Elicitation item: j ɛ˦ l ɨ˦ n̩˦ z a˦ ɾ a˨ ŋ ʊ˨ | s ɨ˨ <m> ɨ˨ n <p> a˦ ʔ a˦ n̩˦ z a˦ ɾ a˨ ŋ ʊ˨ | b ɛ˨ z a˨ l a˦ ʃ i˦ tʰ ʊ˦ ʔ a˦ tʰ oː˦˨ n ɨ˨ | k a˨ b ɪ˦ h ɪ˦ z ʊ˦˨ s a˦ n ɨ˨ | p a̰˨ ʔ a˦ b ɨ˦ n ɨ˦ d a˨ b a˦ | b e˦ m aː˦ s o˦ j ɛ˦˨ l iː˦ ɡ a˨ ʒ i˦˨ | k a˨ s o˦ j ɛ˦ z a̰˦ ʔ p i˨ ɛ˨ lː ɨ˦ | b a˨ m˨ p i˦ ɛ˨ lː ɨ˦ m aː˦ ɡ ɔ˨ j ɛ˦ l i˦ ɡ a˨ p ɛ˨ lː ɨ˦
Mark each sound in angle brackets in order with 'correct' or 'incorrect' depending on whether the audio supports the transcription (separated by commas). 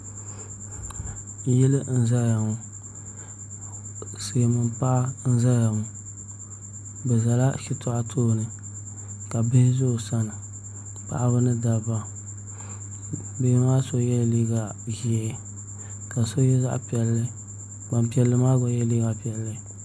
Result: correct, correct